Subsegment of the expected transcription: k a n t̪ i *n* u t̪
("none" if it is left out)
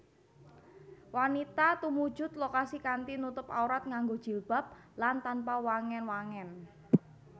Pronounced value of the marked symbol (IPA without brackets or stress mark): n